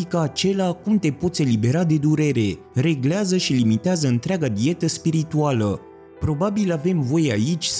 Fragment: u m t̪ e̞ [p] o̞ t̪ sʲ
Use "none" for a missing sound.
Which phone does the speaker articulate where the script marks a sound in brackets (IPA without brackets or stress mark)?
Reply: p